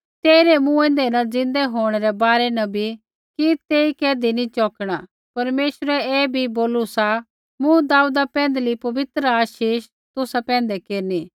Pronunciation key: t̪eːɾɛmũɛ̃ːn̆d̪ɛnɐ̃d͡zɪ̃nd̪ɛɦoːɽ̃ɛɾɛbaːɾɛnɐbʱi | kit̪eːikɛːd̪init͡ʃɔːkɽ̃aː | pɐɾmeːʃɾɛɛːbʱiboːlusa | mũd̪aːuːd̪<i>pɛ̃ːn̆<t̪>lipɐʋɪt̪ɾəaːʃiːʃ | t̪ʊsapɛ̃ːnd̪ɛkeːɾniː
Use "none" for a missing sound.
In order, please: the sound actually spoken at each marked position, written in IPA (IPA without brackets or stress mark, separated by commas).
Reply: a, d̪